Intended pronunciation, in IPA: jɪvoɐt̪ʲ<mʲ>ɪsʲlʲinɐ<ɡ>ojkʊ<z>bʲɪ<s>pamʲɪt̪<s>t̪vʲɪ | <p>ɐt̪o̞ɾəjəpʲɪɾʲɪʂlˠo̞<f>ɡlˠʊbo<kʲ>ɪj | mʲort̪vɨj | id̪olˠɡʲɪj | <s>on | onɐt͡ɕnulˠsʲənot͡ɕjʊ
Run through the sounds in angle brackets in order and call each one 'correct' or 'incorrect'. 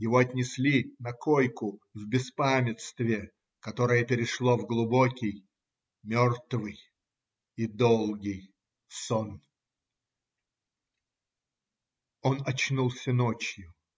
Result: incorrect, incorrect, incorrect, correct, correct, incorrect, incorrect, correct, correct

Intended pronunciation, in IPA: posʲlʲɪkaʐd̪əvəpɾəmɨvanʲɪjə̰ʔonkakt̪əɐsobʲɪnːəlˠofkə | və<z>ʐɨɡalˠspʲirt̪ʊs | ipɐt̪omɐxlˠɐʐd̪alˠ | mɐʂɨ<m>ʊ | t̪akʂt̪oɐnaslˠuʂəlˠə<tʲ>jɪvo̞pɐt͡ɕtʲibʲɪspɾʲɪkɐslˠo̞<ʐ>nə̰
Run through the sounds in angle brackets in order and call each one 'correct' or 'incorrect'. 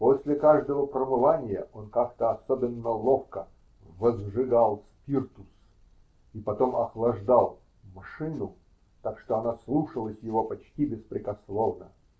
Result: correct, incorrect, incorrect, incorrect

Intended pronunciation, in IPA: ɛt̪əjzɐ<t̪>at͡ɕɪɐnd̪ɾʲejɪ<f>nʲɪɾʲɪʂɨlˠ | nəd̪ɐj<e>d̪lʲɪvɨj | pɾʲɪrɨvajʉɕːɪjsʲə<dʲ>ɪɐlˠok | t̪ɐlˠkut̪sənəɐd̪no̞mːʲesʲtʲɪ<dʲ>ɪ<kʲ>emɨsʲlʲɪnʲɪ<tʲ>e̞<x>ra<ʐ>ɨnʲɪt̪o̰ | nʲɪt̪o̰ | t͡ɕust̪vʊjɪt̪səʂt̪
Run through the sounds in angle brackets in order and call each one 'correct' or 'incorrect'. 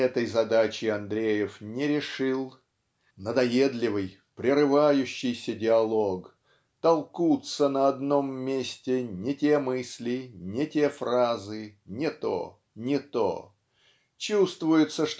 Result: incorrect, correct, correct, correct, incorrect, incorrect, correct, incorrect, incorrect

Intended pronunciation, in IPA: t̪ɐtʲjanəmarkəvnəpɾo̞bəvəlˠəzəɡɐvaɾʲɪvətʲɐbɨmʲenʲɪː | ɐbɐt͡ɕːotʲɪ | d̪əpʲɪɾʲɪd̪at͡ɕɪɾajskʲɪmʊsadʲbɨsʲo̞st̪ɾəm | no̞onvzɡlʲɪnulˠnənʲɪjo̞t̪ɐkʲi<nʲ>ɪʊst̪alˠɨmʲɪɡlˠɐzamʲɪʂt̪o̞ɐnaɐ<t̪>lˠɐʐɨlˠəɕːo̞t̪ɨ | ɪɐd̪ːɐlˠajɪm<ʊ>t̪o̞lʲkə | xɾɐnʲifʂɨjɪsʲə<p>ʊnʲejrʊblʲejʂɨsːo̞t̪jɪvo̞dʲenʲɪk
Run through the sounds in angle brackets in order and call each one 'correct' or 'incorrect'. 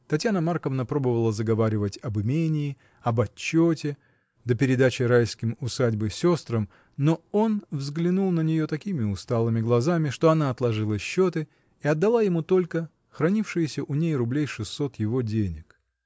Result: incorrect, correct, incorrect, incorrect

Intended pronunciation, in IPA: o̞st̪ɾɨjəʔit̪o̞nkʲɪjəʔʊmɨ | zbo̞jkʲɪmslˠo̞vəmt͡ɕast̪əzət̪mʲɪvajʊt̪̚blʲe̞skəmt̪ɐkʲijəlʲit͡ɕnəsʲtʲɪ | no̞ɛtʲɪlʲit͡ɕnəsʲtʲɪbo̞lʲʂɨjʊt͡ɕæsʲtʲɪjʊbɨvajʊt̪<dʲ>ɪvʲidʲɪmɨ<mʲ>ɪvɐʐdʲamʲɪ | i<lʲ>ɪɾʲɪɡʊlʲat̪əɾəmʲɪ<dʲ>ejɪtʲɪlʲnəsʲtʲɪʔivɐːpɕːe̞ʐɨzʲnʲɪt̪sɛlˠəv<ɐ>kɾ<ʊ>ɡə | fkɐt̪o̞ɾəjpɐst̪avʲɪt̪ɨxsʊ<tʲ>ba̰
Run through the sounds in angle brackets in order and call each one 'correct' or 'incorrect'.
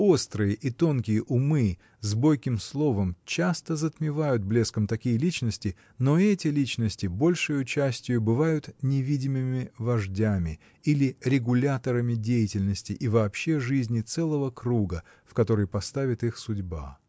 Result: incorrect, correct, correct, correct, incorrect, incorrect, incorrect

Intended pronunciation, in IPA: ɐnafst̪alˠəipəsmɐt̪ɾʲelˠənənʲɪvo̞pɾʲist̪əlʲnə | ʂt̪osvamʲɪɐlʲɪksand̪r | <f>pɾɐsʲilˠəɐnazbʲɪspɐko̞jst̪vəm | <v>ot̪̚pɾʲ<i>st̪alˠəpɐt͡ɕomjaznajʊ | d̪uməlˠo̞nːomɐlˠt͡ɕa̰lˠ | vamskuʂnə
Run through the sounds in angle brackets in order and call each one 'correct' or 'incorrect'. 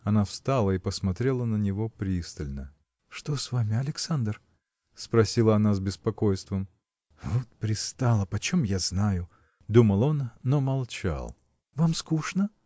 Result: incorrect, correct, incorrect

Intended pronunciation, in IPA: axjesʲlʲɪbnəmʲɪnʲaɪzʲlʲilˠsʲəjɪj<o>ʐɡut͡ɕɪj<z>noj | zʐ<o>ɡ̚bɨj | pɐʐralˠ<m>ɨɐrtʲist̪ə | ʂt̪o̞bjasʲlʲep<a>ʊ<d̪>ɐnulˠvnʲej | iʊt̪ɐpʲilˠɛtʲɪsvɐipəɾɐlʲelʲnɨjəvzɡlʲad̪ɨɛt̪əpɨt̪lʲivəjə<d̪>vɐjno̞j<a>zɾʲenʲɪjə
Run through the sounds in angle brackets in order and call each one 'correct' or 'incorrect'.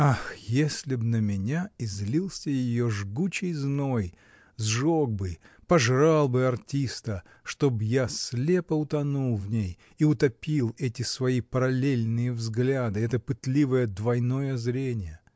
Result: correct, correct, correct, incorrect, incorrect, incorrect, correct, incorrect

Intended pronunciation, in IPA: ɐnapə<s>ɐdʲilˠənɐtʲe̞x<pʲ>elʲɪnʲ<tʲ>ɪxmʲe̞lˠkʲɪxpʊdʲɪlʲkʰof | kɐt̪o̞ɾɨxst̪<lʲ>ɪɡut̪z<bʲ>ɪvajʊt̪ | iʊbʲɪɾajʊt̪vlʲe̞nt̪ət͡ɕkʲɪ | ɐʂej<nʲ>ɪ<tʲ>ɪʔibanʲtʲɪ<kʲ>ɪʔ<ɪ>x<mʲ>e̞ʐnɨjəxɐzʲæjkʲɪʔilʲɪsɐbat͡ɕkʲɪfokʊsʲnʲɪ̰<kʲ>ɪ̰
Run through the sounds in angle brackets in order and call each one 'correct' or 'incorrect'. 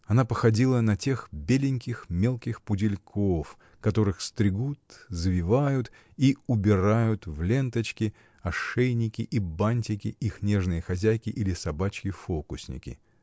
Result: incorrect, incorrect, incorrect, incorrect, incorrect, correct, incorrect, correct, incorrect, incorrect, correct

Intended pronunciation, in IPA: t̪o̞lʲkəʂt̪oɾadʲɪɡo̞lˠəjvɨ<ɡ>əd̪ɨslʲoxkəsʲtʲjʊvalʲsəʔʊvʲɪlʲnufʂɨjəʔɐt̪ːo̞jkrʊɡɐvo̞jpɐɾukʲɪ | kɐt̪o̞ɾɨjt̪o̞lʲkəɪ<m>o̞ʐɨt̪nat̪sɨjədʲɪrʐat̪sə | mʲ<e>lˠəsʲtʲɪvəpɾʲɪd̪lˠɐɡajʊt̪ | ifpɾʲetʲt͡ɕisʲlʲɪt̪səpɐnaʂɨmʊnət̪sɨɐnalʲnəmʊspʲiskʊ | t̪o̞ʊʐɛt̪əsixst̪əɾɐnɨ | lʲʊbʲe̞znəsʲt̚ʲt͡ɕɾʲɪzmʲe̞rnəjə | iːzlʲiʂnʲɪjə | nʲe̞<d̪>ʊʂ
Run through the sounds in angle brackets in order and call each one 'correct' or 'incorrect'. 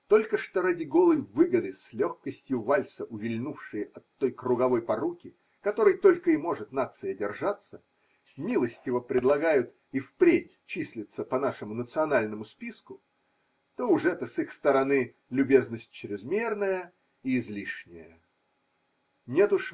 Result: correct, correct, incorrect, incorrect

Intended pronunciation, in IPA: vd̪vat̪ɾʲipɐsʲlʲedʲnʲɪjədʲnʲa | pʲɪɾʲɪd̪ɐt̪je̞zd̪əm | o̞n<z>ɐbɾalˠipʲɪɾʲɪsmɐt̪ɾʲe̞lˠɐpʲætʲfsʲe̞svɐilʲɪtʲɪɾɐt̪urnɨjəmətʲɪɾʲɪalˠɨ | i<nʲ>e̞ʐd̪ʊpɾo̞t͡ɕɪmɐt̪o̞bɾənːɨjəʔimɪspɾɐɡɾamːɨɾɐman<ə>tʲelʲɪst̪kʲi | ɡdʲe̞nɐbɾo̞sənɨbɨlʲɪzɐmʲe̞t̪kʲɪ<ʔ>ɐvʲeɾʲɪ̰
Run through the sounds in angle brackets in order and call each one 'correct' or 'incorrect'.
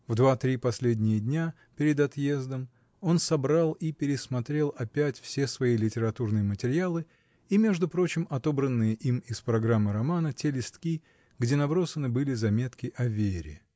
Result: incorrect, incorrect, correct, correct

